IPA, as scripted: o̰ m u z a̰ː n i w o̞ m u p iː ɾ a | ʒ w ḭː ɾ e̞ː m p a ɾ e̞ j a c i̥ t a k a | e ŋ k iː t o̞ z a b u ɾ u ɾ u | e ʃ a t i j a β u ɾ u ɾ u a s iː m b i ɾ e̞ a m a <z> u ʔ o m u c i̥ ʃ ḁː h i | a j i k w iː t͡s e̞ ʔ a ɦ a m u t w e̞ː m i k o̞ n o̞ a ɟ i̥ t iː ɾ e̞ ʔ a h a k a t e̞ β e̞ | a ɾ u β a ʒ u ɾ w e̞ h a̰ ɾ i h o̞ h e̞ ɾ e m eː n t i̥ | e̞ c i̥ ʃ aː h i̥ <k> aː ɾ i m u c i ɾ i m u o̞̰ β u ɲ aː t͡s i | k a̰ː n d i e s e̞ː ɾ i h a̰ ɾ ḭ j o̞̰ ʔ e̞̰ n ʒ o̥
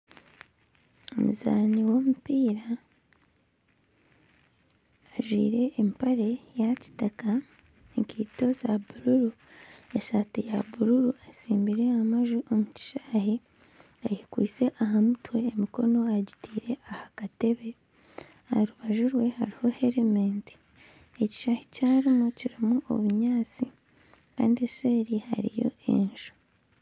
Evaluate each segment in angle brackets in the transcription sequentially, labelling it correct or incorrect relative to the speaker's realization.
incorrect: ʒ, incorrect: c

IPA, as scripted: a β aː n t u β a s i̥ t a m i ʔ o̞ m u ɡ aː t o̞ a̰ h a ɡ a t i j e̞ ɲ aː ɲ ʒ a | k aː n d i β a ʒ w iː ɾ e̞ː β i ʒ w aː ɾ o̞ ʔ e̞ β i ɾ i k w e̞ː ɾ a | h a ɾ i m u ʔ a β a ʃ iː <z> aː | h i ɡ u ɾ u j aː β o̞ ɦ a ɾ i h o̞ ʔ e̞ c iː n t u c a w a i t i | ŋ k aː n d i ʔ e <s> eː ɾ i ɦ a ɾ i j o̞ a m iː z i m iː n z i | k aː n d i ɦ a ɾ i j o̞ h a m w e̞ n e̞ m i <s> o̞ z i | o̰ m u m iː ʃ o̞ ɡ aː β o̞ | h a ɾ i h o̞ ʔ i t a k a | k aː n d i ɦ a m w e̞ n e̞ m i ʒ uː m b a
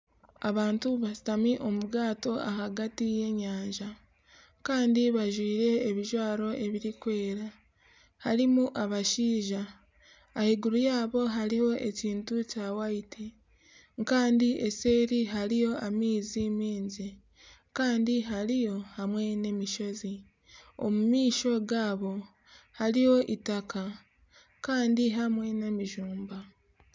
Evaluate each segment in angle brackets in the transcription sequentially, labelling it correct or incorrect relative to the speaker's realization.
incorrect: ʒ, correct, incorrect: ʃ

